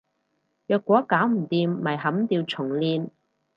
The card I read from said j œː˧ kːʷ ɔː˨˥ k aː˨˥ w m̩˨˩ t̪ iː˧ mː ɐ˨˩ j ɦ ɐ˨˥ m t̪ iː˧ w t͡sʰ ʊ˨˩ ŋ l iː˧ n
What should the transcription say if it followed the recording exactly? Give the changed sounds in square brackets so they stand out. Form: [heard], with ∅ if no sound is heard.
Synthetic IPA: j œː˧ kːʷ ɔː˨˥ k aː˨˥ w m̩˨˩ t̪ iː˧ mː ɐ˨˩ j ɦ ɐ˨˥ m t̪ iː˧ w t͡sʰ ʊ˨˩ ŋ l iː˧ n